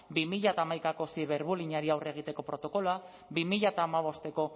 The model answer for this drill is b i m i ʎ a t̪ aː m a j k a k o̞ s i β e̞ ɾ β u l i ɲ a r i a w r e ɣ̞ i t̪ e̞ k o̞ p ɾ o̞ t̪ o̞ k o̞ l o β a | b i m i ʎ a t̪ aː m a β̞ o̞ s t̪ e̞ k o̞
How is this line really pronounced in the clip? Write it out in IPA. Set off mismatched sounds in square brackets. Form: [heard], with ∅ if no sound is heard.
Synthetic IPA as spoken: b i m i ʎ a t̪ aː m a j k a k o̞ s i β e̞ ɾ β u l i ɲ a [ɾ] i a w r e ɣ̞ i t̪ e̞ k o̞ p ɾ o̞ t̪ o̞ k o̞ l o [∅] a | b i m i ʎ a t̪ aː m a β̞ o̞ s t̪ e̞ k o̞